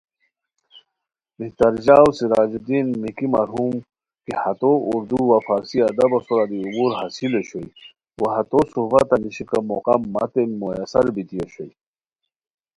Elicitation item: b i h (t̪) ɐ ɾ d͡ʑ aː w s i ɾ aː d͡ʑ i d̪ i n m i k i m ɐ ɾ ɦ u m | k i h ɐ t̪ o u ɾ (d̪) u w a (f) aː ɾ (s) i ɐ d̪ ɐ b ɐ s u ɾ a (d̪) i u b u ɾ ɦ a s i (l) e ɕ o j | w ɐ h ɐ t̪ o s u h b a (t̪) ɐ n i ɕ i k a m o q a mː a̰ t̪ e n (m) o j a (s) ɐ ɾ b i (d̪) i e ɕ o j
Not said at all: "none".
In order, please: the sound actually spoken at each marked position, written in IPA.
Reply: t̪, d̪, f, s, d̪, l, t̪, m, s, t̪

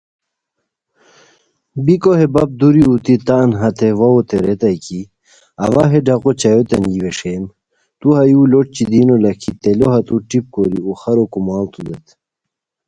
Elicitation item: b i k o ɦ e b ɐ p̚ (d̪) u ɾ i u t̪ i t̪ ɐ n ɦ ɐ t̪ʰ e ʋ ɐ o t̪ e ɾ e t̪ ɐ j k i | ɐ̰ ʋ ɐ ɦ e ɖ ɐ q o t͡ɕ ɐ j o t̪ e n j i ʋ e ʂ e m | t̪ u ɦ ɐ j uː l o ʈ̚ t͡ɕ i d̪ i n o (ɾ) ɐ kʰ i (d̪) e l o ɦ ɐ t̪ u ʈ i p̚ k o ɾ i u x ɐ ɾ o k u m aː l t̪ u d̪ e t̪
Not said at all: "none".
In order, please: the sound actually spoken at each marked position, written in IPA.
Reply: d̪, l, t̪

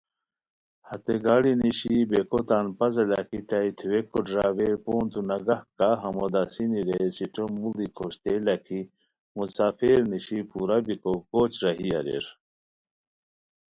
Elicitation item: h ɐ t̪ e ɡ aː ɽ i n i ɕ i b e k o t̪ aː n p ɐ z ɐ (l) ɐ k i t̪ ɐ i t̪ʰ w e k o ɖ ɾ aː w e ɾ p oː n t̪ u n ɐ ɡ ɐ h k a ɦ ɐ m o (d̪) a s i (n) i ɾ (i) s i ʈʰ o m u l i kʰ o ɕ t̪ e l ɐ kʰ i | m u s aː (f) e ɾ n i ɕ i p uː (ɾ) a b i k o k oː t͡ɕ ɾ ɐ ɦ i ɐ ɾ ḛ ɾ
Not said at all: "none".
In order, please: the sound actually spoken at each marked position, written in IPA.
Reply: l, d̪, n, e, f, ɾ

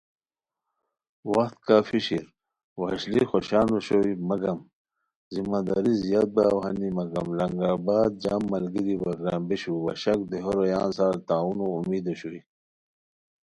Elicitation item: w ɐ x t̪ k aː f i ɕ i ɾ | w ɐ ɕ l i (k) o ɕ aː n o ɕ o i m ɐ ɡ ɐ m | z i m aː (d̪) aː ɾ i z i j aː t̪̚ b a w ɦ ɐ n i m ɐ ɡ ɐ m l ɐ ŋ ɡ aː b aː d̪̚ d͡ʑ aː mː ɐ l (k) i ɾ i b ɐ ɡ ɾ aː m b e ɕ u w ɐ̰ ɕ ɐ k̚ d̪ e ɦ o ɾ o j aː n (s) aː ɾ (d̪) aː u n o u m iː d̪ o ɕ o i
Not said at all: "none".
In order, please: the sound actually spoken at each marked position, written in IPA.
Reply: x, d̪, ɡ, s, t̪

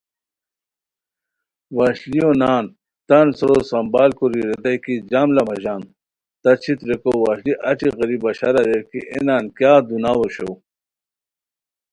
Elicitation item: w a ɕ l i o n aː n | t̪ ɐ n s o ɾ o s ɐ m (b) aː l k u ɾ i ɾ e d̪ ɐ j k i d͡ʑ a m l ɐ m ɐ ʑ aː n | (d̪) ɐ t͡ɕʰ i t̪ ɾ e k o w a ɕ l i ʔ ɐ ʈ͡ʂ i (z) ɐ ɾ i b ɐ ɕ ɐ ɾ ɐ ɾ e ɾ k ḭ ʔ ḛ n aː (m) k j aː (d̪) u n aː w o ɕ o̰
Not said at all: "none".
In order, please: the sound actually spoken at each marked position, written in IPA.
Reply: b, t̪, ɣ, n, d̪

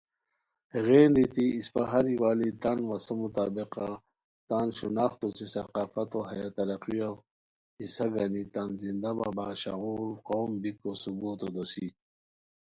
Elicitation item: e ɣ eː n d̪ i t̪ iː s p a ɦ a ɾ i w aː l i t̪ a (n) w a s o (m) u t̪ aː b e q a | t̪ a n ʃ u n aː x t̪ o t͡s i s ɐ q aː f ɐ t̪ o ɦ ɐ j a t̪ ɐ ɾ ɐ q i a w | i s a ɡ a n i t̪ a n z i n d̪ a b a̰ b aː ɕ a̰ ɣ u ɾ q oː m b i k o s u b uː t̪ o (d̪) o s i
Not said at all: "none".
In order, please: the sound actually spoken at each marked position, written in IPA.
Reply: n, m, d̪

